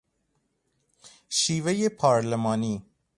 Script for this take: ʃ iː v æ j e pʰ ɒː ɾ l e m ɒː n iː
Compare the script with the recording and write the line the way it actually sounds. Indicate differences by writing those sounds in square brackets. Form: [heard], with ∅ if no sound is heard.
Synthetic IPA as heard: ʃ iː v [e] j e pʰ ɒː ɾ l e m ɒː n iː